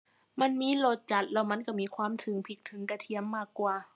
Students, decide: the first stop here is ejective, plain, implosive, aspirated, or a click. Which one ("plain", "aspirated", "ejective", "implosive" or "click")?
plain